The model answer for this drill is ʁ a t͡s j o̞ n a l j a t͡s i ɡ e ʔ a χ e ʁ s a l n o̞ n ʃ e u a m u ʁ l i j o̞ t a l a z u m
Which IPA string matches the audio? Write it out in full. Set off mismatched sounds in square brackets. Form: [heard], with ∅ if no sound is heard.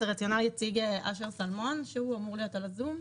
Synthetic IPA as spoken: ʁ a t͡s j o̞ n a l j a t͡s i ɡ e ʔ a [ʃ] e ʁ s a l [m] o̞ n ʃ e u a m u ʁ l i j o̞ t a l a z u m